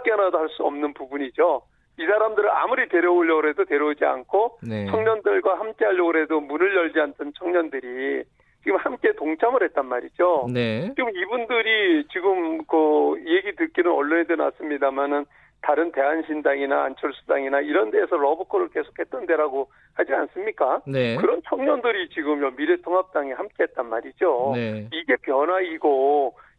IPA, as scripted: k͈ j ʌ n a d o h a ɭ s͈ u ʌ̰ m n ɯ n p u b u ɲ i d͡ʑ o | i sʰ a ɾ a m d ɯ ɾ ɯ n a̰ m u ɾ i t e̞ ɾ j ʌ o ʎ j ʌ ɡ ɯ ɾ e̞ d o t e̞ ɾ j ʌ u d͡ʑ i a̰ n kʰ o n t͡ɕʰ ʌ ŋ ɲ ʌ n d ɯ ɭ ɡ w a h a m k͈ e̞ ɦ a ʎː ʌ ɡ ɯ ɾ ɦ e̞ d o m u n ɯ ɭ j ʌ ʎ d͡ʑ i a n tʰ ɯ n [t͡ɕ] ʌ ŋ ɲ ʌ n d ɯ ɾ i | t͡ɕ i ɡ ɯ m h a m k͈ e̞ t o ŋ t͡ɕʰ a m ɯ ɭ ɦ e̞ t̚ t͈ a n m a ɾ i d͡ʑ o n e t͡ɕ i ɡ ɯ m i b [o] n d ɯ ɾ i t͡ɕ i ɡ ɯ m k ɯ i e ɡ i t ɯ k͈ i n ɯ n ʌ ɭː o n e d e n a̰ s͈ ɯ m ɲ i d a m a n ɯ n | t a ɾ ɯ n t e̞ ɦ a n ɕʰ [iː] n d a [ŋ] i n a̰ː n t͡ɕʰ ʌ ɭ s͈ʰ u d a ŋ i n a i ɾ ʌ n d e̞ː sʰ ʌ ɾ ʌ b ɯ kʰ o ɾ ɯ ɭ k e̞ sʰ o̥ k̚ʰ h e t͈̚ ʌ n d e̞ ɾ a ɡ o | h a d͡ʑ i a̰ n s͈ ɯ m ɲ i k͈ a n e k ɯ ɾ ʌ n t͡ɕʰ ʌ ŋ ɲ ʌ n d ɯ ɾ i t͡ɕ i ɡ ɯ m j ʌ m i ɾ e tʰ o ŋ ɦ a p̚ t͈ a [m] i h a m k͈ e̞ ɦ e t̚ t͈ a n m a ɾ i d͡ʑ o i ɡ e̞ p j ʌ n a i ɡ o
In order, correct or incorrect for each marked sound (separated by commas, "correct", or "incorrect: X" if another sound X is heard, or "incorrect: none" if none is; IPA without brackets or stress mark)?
incorrect: t͡ɕʰ, incorrect: u, incorrect: i, correct, incorrect: ŋ